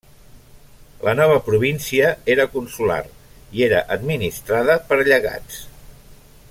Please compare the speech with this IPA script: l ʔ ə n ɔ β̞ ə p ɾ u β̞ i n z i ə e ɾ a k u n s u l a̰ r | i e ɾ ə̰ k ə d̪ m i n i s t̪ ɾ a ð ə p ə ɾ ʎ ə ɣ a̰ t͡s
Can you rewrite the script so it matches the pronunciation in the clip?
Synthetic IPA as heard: l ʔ ə n ɔ β̞ ə p ɾ u β̞ i n s i ə e ɾ ə k u n s u l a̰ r | i e ɾ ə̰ ʔ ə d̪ m i n i s t̪ ɾ a ð ə p ə ɾ ʎ ə ɣ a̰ t͡s